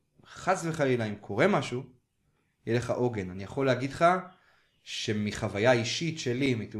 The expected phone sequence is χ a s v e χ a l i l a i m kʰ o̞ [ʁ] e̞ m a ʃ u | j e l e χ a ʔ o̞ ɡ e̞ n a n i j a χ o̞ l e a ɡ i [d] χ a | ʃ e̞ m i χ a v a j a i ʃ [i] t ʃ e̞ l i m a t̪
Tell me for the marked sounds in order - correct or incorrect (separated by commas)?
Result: correct, correct, correct